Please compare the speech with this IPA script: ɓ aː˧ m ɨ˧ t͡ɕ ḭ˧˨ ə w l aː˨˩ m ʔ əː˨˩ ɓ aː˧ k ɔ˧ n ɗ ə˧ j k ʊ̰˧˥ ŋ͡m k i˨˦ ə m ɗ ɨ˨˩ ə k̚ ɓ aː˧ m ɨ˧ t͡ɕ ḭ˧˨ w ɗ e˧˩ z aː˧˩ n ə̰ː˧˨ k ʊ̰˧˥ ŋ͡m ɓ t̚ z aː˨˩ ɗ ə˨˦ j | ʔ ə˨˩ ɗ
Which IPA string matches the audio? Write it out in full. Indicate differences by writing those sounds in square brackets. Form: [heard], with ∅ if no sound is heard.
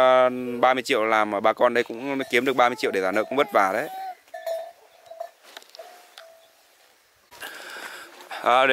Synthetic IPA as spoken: ɓ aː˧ m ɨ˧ t͡ɕ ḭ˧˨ ə w l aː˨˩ m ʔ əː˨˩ ɓ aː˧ k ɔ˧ n ɗ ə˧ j k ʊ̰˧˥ ŋ͡m k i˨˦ ə m ɗ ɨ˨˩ ə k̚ ɓ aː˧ m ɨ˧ t͡ɕ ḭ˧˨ w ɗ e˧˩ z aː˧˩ n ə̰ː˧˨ k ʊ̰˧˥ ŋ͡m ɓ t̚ [v] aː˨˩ ɗ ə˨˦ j | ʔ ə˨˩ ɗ